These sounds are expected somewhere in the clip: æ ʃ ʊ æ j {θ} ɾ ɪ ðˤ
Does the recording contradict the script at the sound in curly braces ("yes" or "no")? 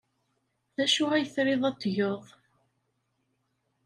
no